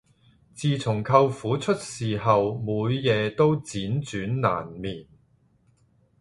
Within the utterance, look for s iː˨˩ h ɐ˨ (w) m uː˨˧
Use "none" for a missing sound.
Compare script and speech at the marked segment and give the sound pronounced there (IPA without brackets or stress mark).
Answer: w